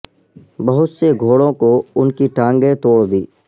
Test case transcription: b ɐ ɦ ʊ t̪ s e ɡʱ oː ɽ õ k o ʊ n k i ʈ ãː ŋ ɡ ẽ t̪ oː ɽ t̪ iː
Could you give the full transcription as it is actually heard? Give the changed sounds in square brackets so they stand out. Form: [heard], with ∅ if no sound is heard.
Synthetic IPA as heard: b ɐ ɦ ʊ t̪ s e ɡʱ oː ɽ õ k o ʊ n k i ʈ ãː ŋ ɡ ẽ t̪ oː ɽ [d̪] iː